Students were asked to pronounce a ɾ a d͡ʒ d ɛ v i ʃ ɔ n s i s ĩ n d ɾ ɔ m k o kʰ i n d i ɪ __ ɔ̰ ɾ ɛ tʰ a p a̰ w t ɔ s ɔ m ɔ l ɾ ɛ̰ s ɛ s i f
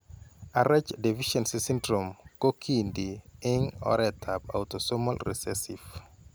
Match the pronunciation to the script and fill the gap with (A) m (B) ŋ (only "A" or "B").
B